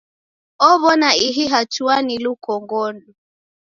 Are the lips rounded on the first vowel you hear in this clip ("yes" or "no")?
yes